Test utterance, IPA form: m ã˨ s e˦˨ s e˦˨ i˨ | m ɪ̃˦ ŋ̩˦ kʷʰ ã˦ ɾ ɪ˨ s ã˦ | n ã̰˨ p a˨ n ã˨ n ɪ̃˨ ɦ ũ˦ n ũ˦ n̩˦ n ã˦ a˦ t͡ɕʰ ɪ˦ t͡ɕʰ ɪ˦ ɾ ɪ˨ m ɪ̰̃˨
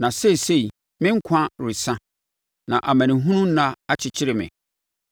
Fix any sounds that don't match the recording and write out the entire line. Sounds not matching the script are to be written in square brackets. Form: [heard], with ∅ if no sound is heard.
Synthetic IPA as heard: [n] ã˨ s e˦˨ s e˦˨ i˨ | m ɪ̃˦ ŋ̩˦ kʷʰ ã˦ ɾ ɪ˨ s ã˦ | n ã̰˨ [ʔ] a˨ [m] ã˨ n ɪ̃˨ ɦ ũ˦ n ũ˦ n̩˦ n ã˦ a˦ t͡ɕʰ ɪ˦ t͡ɕʰ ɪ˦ ɾ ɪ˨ m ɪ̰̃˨